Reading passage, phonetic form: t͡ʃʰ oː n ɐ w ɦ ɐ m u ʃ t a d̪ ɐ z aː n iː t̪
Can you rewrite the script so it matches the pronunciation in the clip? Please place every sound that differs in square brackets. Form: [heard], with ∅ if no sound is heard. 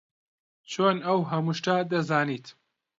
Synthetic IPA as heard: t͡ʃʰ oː n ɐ w ɦ ɐ m u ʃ t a d̪ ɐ z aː n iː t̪